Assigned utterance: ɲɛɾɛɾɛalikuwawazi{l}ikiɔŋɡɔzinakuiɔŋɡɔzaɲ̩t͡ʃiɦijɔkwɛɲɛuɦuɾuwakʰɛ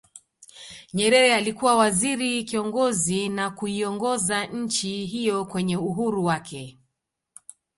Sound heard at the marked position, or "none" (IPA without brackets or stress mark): ɾ